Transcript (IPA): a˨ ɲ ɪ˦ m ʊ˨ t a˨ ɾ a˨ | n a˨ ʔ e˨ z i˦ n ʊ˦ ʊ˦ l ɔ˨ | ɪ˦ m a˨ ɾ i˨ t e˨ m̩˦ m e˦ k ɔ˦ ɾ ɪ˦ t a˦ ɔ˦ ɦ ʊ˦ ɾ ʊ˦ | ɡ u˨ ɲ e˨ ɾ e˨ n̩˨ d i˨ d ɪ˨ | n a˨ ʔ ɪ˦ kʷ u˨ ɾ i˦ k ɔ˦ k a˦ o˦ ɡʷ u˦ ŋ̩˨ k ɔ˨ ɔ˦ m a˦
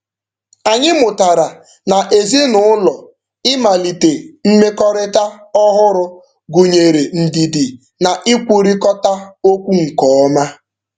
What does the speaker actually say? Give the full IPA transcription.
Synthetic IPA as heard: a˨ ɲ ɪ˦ m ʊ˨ t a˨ ɾ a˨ | n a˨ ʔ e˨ z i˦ n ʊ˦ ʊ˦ l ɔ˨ | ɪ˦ m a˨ l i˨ t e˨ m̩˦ m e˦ k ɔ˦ ɾ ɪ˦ t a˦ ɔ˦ ɦ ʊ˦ ɾ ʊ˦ | ɡ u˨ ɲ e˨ ɾ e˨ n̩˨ d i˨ d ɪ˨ | n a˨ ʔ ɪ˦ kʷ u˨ ɾ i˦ k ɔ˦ t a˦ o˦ kʷ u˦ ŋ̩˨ k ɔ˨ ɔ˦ m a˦

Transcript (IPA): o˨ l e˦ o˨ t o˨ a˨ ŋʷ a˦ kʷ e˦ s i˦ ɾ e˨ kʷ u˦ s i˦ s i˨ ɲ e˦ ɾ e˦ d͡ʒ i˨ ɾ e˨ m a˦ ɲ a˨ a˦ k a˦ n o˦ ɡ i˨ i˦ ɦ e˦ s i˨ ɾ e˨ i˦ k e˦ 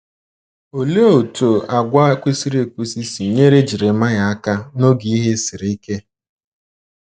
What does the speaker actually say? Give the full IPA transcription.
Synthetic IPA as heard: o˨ l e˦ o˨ t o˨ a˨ ɡʷ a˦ kʷ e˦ s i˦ ɾ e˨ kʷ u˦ s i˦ s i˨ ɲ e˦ ɾ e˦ d͡ʒ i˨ ɾ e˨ m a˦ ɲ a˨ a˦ k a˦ n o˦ ɡ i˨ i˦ ɦ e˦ s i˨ ɾ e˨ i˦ k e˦

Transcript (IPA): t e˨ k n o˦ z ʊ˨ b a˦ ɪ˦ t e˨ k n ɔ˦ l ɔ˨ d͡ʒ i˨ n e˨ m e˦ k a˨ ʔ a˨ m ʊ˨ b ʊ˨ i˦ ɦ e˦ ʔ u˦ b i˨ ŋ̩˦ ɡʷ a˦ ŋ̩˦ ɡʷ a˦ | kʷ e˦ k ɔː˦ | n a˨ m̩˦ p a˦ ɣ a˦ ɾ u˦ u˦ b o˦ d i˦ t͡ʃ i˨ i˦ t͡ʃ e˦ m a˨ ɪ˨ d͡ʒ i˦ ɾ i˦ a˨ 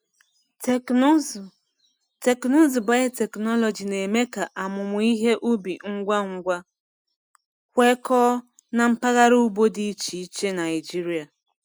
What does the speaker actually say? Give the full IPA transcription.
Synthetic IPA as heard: t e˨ k n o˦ z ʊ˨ b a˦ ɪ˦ t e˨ k n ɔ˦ l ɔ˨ d͡ʒ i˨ n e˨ m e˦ k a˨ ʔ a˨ m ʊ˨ m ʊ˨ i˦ ɦ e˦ ʔ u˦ b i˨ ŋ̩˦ ɡʷ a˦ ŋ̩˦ ɡʷ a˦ | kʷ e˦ k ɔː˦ | n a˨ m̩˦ p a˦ ɣ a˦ ɾ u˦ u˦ b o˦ d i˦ t͡ʃ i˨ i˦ t͡ʃ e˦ n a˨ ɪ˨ d͡ʒ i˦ ɾ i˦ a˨

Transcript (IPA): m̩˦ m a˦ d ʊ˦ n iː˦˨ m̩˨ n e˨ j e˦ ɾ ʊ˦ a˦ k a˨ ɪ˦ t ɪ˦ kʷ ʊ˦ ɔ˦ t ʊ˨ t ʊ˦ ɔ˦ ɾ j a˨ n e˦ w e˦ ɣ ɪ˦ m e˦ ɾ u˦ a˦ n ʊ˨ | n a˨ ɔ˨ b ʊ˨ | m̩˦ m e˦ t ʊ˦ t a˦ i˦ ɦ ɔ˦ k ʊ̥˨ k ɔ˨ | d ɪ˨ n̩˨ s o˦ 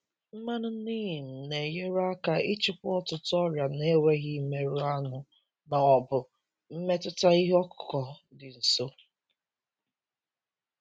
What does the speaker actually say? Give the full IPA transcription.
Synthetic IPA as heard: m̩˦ m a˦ n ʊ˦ n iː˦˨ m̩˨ n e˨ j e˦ ɾ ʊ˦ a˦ k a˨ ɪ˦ t͡ʃ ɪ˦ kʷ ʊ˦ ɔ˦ t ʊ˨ t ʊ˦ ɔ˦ ɾ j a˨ n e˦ w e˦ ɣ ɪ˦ m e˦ ɾ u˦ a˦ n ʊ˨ | n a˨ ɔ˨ b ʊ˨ | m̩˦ m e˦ t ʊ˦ t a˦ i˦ ɦ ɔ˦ k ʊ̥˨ k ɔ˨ | d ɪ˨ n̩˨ s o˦

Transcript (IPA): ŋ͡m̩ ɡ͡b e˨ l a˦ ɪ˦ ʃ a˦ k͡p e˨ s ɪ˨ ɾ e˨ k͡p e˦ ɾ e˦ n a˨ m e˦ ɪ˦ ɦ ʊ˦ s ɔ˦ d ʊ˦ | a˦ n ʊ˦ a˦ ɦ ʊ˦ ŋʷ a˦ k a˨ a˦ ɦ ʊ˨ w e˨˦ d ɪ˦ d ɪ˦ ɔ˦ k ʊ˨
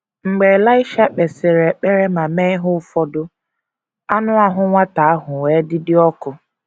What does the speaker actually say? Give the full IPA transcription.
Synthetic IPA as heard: ŋ͡m̩ ɡ͡b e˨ l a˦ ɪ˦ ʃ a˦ k͡p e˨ s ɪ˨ ɾ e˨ k͡p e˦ ɾ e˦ m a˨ m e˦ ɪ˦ ɦ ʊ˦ f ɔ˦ d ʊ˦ | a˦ n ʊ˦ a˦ ɦ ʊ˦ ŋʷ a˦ t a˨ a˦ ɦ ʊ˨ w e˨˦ d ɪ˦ d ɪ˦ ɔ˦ k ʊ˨

